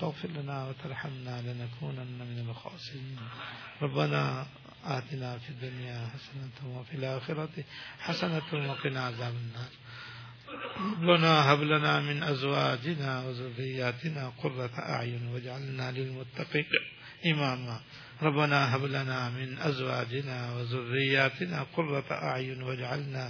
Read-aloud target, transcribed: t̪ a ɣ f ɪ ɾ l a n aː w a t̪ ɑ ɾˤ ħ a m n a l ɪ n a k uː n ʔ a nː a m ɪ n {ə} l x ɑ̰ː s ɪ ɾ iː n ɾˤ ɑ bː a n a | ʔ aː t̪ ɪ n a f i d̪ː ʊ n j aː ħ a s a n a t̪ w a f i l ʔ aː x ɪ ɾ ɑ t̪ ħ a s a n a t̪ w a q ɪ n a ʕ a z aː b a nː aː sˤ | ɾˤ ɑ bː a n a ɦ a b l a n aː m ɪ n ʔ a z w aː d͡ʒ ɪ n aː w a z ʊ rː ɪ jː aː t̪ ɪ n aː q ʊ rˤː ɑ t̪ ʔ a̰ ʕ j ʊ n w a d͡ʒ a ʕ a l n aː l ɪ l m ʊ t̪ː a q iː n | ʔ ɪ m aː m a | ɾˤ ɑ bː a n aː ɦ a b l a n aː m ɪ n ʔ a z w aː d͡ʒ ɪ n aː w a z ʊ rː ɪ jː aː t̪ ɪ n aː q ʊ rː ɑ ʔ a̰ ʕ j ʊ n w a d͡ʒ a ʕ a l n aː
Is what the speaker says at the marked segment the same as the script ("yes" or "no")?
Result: no